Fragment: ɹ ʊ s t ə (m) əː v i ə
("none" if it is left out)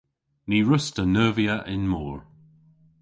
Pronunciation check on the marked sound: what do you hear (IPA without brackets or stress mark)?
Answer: n